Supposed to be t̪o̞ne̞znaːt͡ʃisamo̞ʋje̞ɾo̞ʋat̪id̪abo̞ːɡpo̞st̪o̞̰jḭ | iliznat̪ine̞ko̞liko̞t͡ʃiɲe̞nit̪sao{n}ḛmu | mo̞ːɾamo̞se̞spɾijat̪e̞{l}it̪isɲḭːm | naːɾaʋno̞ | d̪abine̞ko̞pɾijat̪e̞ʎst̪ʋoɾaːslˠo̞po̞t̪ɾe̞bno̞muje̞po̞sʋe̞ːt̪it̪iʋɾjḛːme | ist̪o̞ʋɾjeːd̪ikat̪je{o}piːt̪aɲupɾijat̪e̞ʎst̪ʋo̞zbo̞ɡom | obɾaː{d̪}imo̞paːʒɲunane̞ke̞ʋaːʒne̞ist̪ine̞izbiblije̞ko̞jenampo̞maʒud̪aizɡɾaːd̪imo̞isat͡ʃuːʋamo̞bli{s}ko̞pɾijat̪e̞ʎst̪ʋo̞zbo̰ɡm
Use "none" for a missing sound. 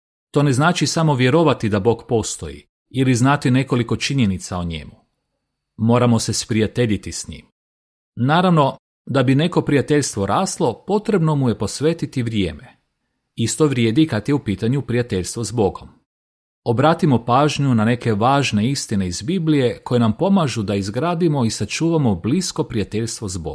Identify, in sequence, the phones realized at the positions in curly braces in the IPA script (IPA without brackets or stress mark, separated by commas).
ɲ, ʎ, u, t̪, s